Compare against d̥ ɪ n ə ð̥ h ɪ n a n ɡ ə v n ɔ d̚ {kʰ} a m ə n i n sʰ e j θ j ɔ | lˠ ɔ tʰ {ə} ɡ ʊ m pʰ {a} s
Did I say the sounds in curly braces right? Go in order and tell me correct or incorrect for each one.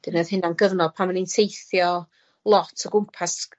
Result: incorrect: pʰ, correct, correct

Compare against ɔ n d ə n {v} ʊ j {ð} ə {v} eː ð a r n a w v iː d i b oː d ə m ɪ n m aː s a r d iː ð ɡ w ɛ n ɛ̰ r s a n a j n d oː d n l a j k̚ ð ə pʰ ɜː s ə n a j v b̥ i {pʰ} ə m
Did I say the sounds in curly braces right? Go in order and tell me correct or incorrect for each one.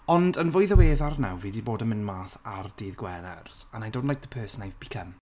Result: correct, correct, incorrect: w, incorrect: kʰ

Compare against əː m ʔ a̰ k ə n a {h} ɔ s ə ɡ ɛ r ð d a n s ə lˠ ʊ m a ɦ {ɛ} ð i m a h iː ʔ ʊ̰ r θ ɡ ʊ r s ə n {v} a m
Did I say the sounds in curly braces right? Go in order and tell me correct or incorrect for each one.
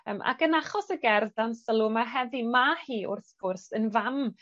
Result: incorrect: χ, correct, correct

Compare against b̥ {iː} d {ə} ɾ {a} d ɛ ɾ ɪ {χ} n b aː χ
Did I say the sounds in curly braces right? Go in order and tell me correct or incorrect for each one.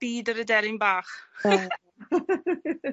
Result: correct, correct, incorrect: ə, incorrect: none

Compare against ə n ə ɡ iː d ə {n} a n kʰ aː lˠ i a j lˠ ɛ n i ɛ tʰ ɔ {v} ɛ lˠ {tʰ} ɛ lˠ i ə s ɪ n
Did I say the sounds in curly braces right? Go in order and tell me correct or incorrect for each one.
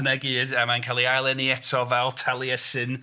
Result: incorrect: m, correct, correct

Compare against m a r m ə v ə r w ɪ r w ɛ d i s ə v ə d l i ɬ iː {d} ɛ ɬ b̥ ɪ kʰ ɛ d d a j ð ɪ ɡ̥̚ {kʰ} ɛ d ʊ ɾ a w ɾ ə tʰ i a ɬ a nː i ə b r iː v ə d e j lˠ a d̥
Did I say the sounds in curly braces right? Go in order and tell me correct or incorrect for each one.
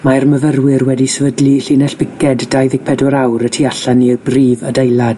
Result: incorrect: n, incorrect: pʰ

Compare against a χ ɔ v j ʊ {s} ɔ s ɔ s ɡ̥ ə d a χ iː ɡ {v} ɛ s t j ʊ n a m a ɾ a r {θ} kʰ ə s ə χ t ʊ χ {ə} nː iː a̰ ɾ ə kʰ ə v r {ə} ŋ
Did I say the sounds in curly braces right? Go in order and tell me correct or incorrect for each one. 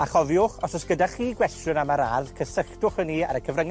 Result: incorrect: χ, incorrect: w, incorrect: ð, correct, correct

